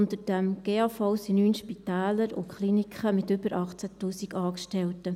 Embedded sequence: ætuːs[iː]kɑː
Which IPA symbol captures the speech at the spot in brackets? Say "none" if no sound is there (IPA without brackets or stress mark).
i